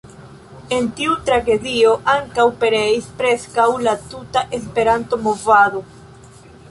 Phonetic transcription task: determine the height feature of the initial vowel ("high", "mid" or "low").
mid